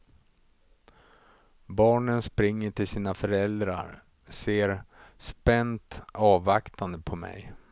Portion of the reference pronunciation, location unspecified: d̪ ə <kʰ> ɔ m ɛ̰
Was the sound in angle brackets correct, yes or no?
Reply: no